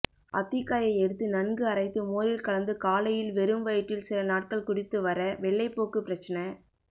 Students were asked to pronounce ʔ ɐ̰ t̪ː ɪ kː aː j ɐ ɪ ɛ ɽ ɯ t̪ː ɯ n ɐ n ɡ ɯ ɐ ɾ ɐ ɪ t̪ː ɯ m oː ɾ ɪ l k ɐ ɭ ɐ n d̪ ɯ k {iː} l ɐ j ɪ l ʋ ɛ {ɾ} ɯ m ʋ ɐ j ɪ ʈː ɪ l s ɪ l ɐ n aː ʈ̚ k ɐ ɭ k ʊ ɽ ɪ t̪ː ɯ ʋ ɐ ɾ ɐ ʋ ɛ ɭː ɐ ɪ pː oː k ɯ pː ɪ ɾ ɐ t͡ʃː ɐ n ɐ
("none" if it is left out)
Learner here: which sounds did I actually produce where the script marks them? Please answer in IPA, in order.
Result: aː, ɾ

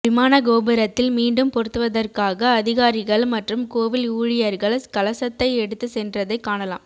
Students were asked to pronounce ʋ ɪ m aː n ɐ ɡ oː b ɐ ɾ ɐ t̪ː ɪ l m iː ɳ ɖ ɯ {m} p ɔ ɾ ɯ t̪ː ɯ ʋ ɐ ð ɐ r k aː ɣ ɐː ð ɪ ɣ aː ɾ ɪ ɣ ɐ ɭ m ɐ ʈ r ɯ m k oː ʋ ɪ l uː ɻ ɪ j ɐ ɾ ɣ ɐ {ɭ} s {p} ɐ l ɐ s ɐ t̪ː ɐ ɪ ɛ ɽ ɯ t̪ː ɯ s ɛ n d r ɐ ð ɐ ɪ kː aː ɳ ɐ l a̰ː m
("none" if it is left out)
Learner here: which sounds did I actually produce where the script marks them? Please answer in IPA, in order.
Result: m, ɭ, k

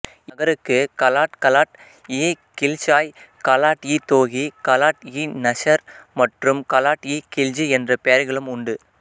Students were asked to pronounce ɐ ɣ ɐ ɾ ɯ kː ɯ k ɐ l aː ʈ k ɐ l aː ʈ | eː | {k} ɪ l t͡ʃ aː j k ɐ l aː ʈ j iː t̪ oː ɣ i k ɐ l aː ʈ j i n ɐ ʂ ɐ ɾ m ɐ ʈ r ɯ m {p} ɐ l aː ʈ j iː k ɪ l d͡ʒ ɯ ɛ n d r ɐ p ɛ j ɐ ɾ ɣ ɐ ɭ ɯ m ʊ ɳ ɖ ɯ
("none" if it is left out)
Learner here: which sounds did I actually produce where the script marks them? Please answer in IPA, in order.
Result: k, k

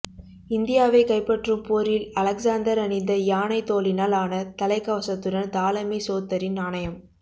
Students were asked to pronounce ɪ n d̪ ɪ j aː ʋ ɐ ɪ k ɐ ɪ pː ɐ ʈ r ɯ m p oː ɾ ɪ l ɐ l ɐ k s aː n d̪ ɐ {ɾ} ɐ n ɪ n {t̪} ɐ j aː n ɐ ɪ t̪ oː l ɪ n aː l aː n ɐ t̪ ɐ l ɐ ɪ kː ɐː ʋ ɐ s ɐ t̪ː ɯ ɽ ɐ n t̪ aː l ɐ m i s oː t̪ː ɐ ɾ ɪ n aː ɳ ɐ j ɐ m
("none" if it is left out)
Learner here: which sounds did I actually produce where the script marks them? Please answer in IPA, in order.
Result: ɾ, d̪

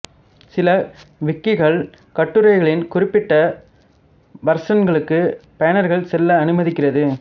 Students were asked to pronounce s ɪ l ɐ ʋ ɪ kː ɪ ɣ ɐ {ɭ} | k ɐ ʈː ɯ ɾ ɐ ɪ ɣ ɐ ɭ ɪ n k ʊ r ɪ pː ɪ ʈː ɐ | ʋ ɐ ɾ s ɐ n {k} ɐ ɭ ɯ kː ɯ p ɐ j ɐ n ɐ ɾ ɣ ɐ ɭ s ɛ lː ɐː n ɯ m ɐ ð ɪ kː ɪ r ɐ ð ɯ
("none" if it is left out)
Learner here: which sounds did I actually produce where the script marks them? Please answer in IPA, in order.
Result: ɭ, ɡ

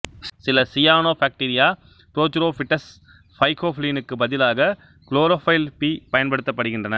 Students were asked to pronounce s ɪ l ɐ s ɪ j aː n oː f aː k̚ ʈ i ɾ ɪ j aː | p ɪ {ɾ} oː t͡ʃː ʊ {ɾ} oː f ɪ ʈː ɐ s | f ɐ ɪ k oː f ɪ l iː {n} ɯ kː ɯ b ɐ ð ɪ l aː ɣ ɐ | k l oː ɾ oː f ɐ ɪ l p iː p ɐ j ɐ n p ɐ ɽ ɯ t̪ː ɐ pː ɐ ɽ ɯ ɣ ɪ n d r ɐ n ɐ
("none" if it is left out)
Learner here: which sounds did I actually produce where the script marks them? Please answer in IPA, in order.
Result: ɾ, ɾ, n

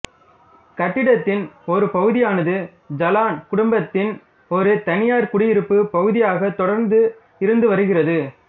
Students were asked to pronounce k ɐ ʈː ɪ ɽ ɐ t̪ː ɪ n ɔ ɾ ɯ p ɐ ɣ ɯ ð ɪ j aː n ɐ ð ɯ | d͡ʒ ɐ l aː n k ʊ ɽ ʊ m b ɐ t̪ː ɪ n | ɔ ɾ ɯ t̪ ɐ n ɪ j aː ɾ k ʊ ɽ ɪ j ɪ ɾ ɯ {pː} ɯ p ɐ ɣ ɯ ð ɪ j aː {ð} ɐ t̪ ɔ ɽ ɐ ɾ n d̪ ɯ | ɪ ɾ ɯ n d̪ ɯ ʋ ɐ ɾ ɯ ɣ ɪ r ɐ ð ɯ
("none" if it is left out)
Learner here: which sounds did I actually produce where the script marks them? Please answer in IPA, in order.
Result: pː, ɣ

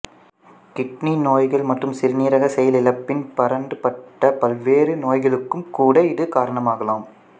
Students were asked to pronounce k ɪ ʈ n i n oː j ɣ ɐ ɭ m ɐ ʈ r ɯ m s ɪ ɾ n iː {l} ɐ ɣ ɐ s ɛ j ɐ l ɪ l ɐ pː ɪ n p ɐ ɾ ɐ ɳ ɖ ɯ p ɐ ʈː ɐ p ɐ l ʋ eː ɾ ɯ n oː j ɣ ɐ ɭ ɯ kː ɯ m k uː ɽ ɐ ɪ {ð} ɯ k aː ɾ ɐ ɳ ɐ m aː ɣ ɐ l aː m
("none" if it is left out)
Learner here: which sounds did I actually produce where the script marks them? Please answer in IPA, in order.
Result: ɾ, ð

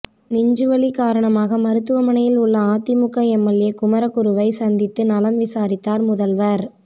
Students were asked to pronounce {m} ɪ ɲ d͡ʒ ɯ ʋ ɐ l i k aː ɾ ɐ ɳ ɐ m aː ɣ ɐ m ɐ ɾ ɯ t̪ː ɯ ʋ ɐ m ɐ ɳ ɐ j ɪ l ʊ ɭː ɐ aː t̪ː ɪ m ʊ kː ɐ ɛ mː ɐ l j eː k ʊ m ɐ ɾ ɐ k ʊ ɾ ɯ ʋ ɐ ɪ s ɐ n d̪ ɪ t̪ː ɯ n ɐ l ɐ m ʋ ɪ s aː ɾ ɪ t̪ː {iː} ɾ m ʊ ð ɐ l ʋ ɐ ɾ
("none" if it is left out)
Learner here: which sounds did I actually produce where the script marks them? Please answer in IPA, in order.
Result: n, aː

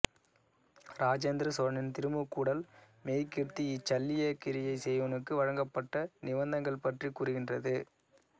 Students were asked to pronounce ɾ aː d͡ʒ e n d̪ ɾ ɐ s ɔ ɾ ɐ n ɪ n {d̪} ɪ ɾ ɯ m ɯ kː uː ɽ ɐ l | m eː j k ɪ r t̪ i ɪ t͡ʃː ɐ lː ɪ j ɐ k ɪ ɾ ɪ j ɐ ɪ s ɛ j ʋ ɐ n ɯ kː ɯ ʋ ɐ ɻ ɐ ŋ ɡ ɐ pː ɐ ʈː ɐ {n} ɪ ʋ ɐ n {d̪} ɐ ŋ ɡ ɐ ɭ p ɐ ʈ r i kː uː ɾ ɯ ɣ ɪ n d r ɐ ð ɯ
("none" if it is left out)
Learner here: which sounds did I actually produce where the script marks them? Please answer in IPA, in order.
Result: t̪, n, d̪

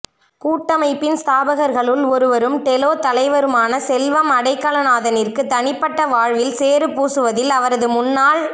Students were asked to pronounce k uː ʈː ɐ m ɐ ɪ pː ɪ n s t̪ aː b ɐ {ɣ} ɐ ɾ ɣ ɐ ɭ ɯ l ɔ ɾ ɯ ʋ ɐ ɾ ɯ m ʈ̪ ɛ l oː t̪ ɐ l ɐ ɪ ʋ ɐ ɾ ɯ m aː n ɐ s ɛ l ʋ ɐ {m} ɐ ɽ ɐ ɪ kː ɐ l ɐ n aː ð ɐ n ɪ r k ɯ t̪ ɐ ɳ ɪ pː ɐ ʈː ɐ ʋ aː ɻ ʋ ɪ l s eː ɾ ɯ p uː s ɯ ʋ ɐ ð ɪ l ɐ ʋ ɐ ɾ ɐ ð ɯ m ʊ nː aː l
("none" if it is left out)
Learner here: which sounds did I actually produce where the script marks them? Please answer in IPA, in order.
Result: ɣ, m

